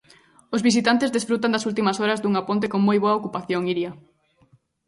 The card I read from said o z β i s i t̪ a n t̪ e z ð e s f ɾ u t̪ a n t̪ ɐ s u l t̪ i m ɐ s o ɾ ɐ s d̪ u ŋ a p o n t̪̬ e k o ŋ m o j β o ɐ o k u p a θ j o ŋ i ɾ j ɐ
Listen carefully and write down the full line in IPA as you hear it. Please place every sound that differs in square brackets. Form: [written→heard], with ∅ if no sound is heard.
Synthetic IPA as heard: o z β i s i t̪ a n t̪ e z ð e s f ɾ u t̪ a n [t̪→d̪] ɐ s u l t̪ i m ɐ s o ɾ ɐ [s→z] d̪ u ŋ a p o n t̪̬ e k o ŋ m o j β o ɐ o k u p a θ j o ŋ i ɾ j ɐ